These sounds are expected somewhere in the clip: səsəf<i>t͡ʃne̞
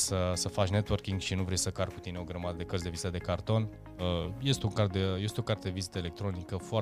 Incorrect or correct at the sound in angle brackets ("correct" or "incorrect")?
incorrect